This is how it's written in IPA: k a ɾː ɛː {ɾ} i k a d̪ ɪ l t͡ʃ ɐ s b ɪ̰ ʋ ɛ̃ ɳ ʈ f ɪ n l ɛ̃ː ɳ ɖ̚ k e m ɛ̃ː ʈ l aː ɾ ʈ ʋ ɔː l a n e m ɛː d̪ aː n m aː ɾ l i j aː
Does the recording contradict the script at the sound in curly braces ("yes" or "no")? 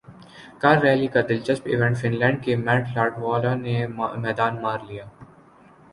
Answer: yes